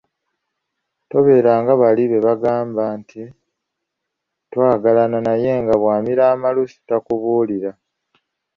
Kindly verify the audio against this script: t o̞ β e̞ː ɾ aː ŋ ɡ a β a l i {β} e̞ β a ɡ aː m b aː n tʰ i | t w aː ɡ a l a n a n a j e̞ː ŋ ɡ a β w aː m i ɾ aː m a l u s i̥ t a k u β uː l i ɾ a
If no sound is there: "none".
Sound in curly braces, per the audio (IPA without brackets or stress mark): β